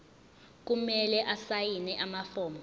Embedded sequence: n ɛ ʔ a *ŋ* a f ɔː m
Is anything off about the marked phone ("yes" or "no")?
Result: yes